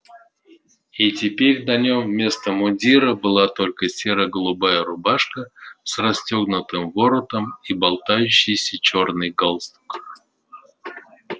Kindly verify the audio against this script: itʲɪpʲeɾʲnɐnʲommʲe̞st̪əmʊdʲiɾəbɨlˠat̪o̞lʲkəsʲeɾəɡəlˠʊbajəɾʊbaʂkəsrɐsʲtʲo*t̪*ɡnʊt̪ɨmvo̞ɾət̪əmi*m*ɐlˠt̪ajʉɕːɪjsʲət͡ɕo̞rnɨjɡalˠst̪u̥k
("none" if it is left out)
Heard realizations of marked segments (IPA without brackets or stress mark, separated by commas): none, b